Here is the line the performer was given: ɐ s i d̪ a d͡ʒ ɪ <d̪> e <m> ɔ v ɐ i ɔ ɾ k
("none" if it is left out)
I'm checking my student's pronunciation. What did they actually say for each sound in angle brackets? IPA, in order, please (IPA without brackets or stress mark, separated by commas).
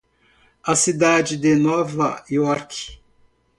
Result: d̪, n